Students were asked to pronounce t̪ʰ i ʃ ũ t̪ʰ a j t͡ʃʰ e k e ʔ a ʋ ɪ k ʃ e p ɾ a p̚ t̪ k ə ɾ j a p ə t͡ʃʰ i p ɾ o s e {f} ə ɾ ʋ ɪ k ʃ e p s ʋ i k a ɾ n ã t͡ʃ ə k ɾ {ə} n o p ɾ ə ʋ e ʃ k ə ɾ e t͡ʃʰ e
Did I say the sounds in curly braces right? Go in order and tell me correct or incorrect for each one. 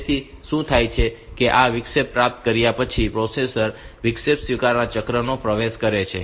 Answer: incorrect: s, correct

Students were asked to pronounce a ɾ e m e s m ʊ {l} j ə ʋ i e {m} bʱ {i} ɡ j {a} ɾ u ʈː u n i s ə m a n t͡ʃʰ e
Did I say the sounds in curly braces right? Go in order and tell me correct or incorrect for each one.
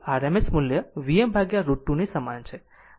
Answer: correct, correct, incorrect: a, correct

